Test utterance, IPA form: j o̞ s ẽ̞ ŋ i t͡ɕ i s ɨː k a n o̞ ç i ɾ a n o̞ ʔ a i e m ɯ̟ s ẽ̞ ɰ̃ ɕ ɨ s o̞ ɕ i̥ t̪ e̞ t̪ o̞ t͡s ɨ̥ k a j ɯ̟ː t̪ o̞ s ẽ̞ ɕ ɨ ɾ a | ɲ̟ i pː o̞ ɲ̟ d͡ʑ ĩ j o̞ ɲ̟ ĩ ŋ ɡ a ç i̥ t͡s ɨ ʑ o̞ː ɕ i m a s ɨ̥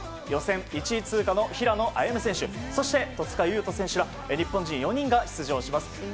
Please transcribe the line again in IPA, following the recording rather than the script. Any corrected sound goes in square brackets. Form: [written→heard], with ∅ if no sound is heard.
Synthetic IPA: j o̞ s ẽ̞ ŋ i t͡ɕ i [s→t͡s] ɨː k a n o̞ ç i ɾ a n o̞ ʔ a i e m ɯ̟ s ẽ̞ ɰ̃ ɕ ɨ s o̞ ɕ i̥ t̪ e̞ t̪ o̞ t͡s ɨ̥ k a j ɯ̟ː t̪ o̞ s ẽ̞ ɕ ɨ ɾ a | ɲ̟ i pː [o̞→õ̞] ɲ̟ d͡ʑ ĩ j o̞ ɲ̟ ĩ ŋ ɡ a ç i̥ t͡s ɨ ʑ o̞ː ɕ i m a s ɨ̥

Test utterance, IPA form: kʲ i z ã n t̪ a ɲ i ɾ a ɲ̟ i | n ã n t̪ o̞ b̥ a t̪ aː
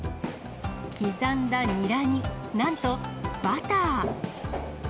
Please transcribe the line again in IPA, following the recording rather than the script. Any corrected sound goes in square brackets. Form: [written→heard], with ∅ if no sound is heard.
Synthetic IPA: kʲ i z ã n [t̪→d̪] a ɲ i ɾ a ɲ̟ i | n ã n t̪ o̞ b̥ a t̪ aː

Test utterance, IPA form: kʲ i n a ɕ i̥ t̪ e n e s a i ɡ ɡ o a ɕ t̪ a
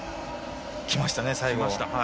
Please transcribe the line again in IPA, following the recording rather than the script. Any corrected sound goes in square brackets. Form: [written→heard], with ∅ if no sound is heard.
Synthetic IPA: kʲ i [n→m] a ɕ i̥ t̪ [e→a] n e s a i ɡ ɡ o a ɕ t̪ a

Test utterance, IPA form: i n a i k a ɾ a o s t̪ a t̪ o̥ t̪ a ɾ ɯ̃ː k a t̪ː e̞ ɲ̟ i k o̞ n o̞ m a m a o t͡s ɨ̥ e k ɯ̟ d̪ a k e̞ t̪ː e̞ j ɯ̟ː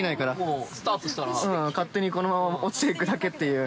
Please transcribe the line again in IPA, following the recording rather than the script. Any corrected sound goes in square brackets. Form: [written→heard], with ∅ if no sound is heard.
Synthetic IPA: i n a i k a ɾ a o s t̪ a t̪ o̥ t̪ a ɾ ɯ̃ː k a t̪ː e̞ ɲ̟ i k o̞ n o̞ m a m a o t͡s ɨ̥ e k ɯ̟ d̪ a k e̞ t̪ː e̞ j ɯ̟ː

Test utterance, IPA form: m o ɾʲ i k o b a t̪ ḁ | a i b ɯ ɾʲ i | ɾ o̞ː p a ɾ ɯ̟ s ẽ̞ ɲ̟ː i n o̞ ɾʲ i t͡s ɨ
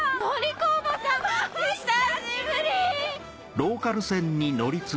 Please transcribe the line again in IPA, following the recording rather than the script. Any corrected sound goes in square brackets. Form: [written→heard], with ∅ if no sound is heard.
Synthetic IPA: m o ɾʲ i k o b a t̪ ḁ | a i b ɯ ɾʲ i | ɾ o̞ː [p→k] a ɾ ɯ̟ s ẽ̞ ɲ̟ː i n o̞ ɾʲ i t͡s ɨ

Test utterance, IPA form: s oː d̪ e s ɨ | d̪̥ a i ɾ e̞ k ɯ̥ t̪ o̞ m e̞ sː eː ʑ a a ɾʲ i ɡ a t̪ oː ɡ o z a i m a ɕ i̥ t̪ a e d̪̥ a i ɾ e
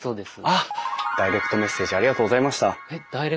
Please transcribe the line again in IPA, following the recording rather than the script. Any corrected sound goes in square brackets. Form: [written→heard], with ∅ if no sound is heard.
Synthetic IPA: s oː d̪ e s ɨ | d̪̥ a i ɾ e̞ k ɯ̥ t̪ o̞ m e̞ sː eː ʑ [a→i] a ɾʲ i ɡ a t̪ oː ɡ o z a i m a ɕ i̥ t̪ a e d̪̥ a i ɾ e

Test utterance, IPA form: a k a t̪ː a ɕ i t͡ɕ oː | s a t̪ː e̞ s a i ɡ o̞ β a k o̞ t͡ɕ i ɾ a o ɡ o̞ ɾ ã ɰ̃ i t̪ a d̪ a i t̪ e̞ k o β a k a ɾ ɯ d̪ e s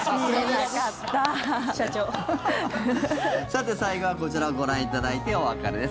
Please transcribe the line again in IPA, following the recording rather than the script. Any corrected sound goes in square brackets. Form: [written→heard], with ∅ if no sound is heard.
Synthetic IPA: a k a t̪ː a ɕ [i→a] t͡ɕ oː | s a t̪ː e̞ s a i ɡ o̞ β a k o̞ t͡ɕ i ɾ a o ɡ o̞ ɾ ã ɰ̃ i t̪ a d̪ a i t̪ e̞ [k→∅] o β a k a ɾ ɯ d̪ e s

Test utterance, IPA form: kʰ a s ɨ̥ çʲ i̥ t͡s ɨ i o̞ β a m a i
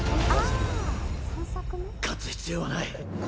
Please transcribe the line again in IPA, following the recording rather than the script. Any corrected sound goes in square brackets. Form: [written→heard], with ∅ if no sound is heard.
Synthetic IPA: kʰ a [s→t͡s] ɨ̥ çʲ i̥ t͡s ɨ [i→j] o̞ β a [m→n] a i

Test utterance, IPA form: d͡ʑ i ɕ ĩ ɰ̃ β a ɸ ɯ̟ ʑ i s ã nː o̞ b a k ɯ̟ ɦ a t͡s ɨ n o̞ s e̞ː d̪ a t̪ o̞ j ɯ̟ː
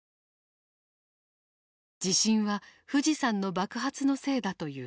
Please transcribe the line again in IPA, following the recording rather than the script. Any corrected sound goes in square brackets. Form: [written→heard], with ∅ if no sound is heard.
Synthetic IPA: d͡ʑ i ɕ ĩ ɰ̃ β a ɸ ɯ̟ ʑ i s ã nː o̞ b a k ɯ̟ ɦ a t͡s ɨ n o̞ s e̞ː d̪ a t̪ o̞ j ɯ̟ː

